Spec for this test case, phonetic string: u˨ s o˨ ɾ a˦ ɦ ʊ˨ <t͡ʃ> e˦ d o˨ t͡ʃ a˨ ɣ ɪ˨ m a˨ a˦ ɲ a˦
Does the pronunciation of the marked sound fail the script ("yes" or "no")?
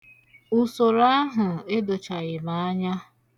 yes